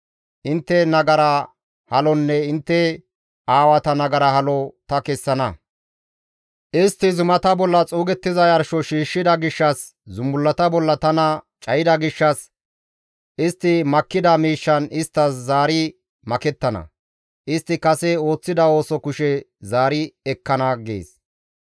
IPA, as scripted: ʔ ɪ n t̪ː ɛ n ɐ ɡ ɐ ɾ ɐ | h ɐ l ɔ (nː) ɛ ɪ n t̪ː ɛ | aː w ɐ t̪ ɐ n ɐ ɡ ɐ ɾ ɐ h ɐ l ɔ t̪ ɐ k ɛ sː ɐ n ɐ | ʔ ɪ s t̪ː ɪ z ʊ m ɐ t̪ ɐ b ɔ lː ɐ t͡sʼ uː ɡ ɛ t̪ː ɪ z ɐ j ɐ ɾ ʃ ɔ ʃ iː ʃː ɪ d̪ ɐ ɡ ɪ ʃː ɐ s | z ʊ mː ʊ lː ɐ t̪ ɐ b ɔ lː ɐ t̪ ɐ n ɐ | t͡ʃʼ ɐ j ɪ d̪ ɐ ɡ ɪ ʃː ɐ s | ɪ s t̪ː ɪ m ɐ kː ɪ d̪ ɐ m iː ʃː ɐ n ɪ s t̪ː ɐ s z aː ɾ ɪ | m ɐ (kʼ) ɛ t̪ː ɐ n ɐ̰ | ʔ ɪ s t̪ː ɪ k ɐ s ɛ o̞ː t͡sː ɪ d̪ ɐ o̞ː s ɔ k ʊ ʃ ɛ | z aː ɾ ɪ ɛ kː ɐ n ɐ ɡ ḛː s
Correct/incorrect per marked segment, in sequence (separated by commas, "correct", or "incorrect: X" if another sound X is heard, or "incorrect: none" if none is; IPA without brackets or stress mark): correct, incorrect: k